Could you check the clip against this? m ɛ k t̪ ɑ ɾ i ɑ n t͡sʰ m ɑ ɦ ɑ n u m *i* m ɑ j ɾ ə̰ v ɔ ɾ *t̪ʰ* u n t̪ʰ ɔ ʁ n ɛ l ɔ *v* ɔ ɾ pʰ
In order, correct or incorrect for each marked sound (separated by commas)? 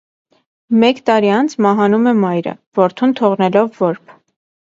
incorrect, correct, incorrect